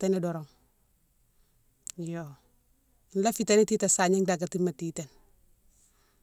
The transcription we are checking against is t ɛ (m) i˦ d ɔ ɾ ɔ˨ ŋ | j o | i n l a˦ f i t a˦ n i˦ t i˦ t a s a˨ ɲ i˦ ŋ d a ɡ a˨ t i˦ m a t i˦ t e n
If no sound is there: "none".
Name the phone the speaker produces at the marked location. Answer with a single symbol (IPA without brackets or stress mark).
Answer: n